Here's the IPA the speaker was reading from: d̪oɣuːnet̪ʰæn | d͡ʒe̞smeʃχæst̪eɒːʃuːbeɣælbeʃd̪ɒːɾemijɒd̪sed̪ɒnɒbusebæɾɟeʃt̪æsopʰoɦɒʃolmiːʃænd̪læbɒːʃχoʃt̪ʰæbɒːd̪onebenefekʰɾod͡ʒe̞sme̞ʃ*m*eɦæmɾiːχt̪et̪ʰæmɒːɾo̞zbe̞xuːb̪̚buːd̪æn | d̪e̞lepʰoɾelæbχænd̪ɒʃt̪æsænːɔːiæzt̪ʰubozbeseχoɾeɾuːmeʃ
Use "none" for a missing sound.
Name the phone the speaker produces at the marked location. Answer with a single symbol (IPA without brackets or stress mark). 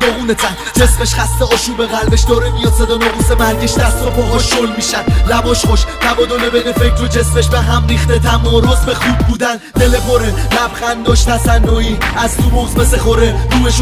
b